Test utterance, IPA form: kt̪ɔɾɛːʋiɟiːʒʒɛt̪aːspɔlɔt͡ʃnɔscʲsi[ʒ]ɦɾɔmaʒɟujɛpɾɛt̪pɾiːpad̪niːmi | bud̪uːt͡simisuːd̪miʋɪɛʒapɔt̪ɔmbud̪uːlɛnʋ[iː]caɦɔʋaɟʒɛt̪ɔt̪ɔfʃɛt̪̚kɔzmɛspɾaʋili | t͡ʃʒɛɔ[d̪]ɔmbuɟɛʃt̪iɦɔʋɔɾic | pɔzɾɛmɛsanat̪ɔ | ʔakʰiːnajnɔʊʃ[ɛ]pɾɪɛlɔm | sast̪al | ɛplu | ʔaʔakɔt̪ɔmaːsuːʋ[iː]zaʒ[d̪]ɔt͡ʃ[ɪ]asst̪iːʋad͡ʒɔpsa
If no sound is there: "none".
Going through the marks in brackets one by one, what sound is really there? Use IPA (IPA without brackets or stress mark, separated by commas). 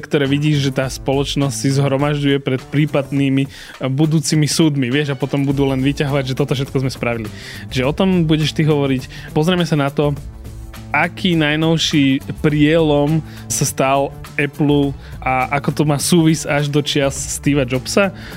z, i, t̪, i, i, d̪, ɪ